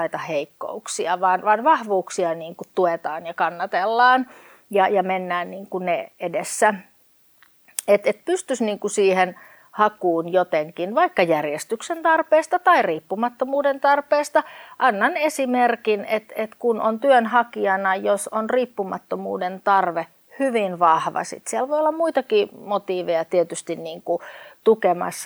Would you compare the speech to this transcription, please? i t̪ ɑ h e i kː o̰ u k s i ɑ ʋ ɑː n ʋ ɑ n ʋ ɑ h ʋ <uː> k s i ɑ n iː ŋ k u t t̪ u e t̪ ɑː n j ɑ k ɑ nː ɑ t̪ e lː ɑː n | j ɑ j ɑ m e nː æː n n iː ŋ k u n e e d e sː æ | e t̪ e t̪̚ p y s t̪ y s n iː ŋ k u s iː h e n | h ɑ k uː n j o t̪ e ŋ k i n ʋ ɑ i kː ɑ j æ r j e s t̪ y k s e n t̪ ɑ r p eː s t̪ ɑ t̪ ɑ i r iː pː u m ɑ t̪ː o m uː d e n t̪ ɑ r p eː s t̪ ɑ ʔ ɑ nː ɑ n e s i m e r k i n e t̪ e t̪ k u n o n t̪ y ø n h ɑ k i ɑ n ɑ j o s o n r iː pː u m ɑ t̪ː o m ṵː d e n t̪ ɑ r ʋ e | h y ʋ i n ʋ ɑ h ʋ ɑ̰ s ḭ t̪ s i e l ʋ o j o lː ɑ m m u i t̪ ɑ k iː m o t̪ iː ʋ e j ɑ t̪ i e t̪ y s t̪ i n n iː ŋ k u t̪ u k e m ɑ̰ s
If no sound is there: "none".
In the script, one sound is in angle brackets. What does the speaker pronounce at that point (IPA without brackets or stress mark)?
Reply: uː